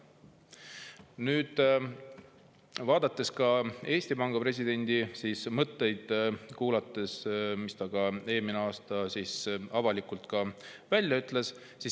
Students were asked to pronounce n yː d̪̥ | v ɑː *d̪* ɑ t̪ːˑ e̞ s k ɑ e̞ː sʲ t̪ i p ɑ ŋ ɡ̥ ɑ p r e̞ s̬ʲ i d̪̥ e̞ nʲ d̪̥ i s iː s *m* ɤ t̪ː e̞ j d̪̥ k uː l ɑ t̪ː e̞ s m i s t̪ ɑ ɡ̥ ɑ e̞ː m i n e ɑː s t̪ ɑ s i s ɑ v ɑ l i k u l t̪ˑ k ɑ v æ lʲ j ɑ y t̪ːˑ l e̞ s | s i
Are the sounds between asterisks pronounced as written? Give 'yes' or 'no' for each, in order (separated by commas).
yes, yes